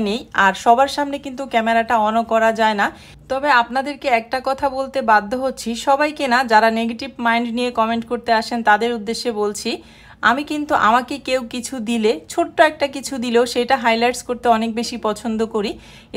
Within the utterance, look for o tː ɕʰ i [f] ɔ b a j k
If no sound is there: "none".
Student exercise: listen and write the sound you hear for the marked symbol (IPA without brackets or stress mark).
ʃ